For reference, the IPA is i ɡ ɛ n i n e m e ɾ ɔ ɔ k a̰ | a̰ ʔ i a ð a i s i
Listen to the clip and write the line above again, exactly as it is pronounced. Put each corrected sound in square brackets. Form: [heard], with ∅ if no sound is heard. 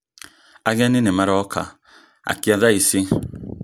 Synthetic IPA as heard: [a] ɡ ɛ n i n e m [a] ɾ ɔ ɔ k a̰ | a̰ [k] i a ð a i s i